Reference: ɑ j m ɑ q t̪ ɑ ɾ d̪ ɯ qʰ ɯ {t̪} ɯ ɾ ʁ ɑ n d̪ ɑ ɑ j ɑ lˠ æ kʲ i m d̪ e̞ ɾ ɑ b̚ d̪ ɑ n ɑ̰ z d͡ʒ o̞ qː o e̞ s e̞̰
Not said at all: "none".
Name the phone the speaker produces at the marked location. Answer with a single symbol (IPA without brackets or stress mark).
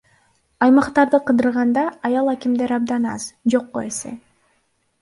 d̪